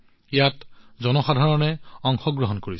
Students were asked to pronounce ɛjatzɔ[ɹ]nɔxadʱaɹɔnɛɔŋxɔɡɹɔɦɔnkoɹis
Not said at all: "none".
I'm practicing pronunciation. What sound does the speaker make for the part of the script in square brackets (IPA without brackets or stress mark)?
none